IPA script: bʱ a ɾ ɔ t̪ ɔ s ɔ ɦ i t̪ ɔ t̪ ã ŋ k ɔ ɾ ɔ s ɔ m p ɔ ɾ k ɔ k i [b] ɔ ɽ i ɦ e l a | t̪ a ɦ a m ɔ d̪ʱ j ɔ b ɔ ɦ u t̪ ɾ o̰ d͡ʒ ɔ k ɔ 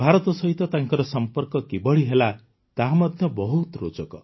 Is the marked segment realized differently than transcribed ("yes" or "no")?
no